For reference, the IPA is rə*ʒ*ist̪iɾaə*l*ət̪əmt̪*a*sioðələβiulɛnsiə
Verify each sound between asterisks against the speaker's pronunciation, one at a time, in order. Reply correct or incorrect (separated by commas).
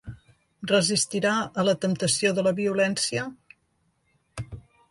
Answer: incorrect, correct, incorrect